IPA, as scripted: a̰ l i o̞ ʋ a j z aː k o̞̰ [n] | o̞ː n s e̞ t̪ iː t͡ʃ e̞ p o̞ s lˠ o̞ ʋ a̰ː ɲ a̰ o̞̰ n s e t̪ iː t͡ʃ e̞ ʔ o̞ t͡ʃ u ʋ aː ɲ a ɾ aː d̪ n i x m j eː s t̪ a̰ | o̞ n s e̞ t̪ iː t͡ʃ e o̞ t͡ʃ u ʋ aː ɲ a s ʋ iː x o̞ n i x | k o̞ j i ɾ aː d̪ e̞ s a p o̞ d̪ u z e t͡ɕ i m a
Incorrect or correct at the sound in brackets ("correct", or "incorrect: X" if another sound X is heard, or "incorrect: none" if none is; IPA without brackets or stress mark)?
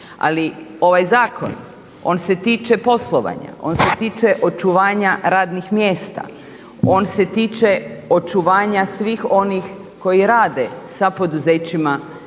correct